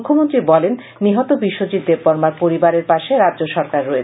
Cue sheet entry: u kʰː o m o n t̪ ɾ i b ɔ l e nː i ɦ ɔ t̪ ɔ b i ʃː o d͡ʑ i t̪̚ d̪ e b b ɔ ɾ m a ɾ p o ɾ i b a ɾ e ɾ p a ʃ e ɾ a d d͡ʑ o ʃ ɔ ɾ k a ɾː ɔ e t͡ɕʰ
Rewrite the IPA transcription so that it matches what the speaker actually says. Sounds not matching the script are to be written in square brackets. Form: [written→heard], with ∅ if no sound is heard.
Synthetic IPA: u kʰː o m o n t̪ ɾ i b ɔ l e nː i ɦ ɔ t̪ [ɔ→o] b i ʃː o d͡ʑ i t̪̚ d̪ e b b ɔ ɾ m a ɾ p o ɾ i b a ɾ e ɾ p a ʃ e ɾ a d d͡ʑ o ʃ ɔ ɾ k a ɾː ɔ e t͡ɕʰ